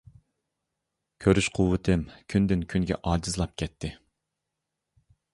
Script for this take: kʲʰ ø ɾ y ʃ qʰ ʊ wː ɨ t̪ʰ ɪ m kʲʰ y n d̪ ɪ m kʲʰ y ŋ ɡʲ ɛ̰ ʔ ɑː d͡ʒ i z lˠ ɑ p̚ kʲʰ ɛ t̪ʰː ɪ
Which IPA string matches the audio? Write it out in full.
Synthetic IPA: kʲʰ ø ɾ y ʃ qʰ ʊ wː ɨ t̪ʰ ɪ m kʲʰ y n d̪ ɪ n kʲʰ y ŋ ɡʲ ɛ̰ ʔ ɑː d͡ʒ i z lˠ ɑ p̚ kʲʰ ɛ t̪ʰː ɪ